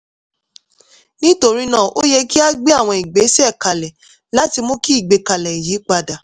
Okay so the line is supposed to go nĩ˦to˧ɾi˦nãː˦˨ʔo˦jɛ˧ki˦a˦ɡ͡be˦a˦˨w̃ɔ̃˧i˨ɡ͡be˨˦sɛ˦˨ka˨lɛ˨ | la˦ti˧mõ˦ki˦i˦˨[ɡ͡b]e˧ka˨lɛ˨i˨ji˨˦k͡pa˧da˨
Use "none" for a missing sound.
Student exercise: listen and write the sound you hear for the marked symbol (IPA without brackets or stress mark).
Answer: ɡ͡b